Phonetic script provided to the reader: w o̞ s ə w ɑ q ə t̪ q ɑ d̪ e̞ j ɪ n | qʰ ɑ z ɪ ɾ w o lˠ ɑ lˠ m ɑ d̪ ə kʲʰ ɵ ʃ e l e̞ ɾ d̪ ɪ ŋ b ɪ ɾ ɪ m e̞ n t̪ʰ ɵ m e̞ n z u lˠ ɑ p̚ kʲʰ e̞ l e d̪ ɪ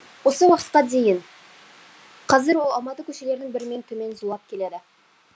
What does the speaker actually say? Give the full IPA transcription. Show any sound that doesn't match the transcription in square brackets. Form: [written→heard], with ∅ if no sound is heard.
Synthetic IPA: w o̞ s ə w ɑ q ə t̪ q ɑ d̪ e̞ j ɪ n | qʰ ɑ z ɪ ɾ w o lˠ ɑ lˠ m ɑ [d̪→t̪] ə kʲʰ ɵ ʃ e l e̞ ɾ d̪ ɪ ŋ b ɪ ɾ ɪ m e̞ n t̪ʰ ɵ m e̞ n z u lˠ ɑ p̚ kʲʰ e̞ l e d̪ ɪ